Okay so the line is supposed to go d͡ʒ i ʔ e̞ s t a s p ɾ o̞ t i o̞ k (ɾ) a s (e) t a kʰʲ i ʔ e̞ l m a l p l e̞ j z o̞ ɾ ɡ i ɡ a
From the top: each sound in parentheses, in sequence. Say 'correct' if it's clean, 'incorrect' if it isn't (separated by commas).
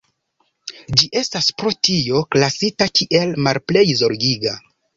incorrect, incorrect